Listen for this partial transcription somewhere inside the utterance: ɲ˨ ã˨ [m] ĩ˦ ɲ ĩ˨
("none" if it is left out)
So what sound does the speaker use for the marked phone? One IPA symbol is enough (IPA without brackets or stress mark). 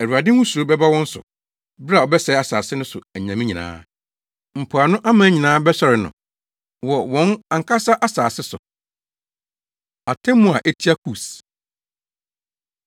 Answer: m